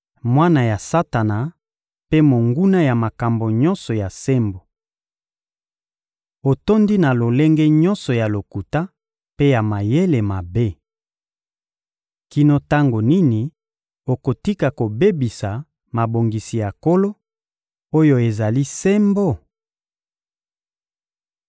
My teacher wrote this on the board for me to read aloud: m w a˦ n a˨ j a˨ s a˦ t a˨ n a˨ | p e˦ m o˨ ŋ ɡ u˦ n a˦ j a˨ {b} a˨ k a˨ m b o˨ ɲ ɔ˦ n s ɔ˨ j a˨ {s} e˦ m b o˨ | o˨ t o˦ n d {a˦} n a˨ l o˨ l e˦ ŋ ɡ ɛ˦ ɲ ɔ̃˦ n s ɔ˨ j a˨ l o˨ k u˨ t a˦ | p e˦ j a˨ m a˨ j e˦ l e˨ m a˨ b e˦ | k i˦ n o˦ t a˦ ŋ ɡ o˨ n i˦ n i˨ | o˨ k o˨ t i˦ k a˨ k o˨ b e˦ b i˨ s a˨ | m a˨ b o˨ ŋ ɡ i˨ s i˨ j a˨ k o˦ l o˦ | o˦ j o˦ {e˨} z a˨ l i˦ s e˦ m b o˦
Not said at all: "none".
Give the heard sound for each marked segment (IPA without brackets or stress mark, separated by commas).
m, s, i˦, e˨